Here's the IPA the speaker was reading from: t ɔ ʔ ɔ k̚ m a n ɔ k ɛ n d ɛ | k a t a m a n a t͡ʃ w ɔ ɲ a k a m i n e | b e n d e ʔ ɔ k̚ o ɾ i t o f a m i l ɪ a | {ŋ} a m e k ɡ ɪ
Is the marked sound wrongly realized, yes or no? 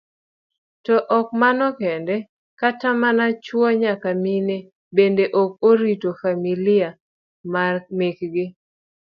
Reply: yes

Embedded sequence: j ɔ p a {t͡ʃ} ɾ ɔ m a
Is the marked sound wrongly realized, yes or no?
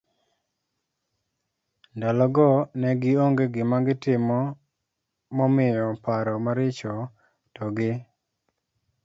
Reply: yes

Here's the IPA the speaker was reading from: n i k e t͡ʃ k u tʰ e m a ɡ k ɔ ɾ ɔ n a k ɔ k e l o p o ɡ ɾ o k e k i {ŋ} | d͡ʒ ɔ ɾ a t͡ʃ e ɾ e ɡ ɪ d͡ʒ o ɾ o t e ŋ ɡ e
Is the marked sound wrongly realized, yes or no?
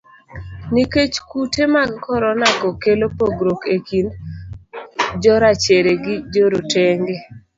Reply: yes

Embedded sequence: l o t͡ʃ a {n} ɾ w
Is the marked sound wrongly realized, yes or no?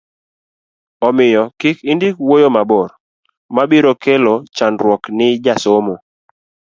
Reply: no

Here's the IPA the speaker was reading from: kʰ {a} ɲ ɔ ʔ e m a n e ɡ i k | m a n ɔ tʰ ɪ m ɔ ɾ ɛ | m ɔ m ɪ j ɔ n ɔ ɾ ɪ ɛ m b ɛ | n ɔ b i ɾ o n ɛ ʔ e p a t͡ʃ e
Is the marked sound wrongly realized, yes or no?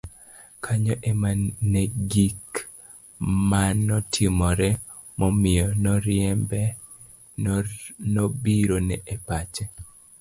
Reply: no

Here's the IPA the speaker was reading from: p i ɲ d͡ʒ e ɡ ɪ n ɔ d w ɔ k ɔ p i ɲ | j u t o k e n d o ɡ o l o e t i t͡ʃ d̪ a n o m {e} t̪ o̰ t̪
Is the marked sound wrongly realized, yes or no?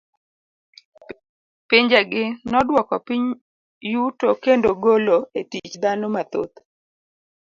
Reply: yes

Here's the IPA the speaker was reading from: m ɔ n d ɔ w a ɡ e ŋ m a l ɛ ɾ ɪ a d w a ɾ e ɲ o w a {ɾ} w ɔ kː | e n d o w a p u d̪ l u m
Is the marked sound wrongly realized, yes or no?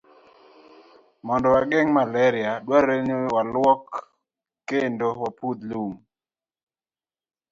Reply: yes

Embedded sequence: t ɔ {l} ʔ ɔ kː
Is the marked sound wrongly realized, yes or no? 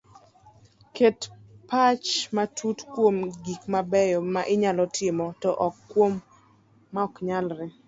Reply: yes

